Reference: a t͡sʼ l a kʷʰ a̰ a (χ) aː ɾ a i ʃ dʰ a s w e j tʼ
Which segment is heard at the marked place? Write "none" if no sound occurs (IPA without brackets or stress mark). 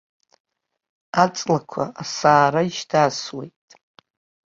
s